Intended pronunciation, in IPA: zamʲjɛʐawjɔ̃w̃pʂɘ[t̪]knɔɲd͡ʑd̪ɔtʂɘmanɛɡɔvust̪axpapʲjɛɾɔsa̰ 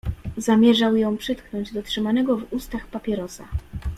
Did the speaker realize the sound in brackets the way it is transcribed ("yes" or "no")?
yes